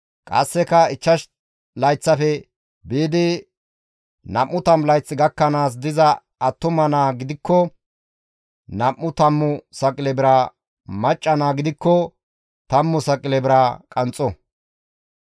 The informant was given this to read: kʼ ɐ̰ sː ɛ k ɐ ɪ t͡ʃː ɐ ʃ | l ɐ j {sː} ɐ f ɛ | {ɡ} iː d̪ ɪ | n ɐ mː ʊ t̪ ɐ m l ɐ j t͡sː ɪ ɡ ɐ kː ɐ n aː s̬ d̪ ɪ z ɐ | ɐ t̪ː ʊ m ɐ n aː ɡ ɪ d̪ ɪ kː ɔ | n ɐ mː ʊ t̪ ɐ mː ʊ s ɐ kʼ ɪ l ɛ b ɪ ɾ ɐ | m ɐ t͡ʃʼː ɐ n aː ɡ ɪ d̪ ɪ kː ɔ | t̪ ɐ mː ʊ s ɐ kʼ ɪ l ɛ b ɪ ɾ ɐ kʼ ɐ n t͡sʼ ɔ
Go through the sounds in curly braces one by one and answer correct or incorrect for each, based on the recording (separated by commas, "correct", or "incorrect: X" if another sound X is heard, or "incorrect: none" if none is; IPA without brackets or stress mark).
incorrect: t͡sː, incorrect: b